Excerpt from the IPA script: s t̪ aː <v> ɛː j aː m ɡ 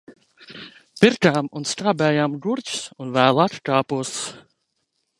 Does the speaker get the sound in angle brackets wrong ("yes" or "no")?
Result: yes